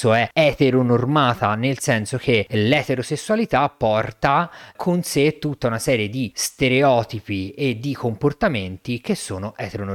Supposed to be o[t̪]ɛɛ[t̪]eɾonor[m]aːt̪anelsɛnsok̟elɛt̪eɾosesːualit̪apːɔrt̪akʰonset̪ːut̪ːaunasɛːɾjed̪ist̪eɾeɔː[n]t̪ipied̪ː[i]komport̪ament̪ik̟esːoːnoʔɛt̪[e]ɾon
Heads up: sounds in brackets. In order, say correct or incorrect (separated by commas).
incorrect, correct, correct, incorrect, correct, correct